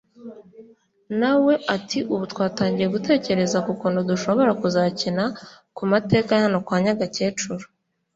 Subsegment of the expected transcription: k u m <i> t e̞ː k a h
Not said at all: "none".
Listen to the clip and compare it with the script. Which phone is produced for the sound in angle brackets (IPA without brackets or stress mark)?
a